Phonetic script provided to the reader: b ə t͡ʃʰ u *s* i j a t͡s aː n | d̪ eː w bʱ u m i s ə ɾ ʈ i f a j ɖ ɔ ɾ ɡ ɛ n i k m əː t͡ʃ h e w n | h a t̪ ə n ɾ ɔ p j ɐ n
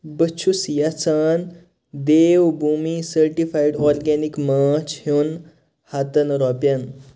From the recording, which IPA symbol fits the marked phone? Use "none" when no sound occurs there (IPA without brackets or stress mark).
s